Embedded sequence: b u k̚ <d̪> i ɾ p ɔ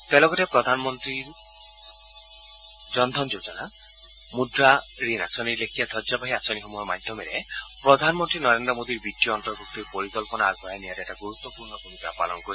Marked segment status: incorrect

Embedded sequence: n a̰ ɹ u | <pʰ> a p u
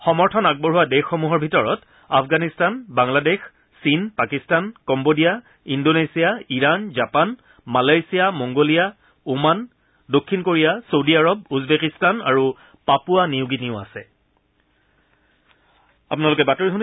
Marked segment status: incorrect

